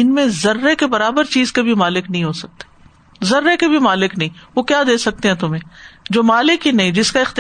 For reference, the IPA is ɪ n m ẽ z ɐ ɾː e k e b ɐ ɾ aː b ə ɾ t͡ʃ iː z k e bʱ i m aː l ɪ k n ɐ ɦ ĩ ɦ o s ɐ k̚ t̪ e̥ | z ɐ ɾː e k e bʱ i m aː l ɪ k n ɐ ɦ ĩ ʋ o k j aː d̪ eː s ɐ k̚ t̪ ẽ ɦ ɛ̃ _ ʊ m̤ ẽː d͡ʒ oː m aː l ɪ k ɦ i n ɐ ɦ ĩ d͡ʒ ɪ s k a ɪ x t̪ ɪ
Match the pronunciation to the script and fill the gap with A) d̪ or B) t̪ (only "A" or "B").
B